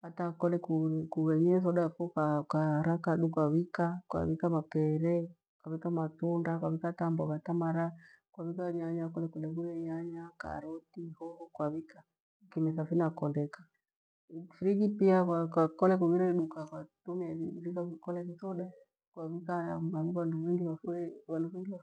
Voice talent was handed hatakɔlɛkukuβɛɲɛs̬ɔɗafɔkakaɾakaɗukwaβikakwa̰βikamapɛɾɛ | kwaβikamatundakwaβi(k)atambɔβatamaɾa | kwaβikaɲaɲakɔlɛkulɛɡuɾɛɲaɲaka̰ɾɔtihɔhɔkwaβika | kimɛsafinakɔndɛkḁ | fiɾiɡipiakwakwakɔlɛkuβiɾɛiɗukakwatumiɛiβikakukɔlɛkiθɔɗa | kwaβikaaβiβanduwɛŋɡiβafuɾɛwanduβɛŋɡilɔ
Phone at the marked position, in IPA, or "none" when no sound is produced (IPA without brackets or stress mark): k